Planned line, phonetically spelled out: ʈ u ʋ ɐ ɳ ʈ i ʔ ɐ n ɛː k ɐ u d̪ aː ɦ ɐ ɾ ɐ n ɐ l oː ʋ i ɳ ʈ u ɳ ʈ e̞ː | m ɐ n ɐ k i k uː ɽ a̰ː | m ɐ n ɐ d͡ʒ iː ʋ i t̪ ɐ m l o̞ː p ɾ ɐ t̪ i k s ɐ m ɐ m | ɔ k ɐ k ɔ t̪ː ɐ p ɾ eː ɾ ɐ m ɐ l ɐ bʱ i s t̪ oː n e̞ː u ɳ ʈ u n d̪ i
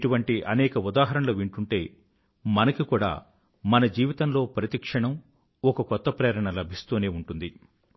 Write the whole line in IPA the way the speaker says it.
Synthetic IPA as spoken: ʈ u ʋ ɐ ɳ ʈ i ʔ ɐ n ɛː k ɐ u d̪ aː ɦ ɐ ɾ ɐ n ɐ l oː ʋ i ɳ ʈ u ɳ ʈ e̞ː | m ɐ n ɐ k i k uː ɽ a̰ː | m ɐ n ɐ d͡ʒ iː ʋ i t̪ ɐ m l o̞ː p ɾ ɐ t̪ i k ʂ ɐ ɳ ɐ m | ɔ k ɐ k ɔ t̪ː ɐ p ɾ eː ɾ ɐ ɳ ɐ l ɐ bʱ i s t̪ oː n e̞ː u ɳ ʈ u n d̪ i

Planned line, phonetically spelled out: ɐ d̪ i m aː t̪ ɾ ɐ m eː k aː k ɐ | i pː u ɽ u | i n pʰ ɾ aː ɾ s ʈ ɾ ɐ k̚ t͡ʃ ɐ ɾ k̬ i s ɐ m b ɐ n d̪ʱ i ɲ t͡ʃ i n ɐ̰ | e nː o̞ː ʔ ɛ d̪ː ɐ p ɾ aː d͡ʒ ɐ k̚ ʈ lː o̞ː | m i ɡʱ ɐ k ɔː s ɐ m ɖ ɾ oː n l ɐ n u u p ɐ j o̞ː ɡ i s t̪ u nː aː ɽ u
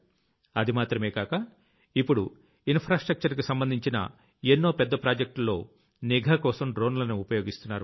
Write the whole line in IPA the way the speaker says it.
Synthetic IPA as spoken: ɐ d̪ i m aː t̪ ɾ ɐ m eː k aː k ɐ | i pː u ɽ u | i n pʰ ɾ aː s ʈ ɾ ɐ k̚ t͡ʃ ɐ ɾ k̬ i s ɐ m b ɐ n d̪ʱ i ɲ t͡ʃ i n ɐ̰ | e nː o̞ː p ɛ d̪ː ɐ p ɾ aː d͡ʒ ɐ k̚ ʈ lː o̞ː | n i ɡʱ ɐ k ɔː s ɐ m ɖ ɾ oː n l ɐ n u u p ɐ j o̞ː ɡ i s t̪ u nː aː ɾ u

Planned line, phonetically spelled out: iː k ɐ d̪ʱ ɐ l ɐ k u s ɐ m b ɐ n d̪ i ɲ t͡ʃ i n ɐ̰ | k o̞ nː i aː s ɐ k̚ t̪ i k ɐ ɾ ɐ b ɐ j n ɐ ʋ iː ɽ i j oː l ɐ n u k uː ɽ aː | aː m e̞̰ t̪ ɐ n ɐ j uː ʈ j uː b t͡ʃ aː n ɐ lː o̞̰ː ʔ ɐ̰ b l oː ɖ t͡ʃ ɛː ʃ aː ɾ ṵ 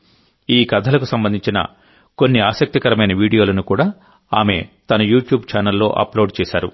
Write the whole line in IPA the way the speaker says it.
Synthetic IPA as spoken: iː k ɐ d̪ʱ ɐ l ɐ k u s ɐ m b ɐ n d̪ i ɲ t͡ʃ i n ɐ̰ | k o̞ nː i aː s ɐ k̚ t̪ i k ɐ ɾ ɐ m ɐ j n ɐ ʋ iː ɽ i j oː l ɐ n u k uː ɽ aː | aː m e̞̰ t̪ ɐ n ɐ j uː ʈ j uː b t͡ʃ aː n ɐ lː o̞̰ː ʔ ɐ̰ p l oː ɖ t͡ʃ ɛː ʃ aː ɾ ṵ

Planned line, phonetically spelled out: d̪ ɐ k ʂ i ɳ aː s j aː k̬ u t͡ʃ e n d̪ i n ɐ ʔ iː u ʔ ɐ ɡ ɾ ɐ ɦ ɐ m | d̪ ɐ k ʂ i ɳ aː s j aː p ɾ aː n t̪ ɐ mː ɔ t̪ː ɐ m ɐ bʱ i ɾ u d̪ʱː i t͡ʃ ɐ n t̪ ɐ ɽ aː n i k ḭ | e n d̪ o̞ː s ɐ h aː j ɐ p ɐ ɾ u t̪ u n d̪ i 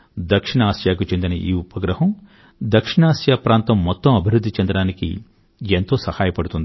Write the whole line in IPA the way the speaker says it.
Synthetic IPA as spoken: d̪ ɐ k ʂ i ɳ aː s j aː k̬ u t͡ʃ e n d̪ i n ɐ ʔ iː u p ɐ ɡ ɾ ɐ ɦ ɐ m | d̪ ɐ k ʂ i ɳ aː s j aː p ɾ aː n t̪ ɐ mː ɔ t̪ː ɐ m ɐ bʱ i ɾ u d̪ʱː i t͡ʃ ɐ n d̪ ɐ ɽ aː n i k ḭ | e n t̪ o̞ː s ɐ h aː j ɐ p ɐ ɽ u t̪ u n d̪ i

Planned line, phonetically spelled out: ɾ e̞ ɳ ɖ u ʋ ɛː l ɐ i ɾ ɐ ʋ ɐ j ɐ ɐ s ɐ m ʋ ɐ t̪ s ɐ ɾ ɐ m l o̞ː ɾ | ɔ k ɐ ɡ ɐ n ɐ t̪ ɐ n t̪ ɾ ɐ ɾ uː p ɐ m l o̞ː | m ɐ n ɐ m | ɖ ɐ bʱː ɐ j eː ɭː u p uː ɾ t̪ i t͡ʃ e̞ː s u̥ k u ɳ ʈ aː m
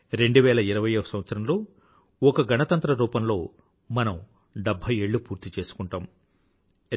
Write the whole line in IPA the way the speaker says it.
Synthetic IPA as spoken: ɾ e̞ ɳ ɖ u ʋ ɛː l ɐ i ɾ ɐ ʋ ɐ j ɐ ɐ s ɐ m ʋ ɐ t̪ s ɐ ɾ ɐ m l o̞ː | ɔ k ɐ ɡ ɐ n ɐ t̪ ɐ n t̪ ɾ ɐ ɾ uː p ɐ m l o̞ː | m ɐ n ɐ m | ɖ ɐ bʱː ɐ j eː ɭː u p uː ɾ t̪ i t͡ʃ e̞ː s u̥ k u ɳ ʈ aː m

